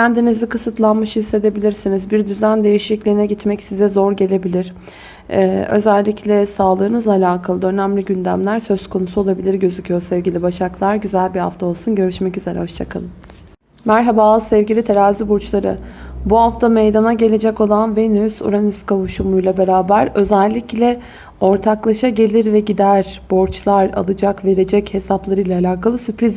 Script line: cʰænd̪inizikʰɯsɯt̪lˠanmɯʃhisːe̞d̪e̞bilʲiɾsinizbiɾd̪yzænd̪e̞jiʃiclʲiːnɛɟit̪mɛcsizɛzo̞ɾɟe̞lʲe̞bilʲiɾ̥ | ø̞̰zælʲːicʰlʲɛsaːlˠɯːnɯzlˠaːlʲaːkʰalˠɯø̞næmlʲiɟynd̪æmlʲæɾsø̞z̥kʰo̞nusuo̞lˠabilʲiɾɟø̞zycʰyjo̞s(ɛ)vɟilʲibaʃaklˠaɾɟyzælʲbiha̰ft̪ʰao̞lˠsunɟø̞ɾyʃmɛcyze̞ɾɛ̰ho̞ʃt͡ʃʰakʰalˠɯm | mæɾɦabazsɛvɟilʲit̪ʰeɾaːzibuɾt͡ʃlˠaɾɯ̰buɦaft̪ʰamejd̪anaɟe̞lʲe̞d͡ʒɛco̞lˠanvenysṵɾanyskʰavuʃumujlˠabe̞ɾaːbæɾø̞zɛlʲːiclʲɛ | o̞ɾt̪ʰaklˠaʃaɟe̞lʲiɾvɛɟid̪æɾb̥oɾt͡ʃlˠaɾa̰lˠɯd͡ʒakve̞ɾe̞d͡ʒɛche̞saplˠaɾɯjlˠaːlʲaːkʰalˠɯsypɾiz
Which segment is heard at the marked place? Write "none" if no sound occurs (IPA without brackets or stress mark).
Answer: ɛ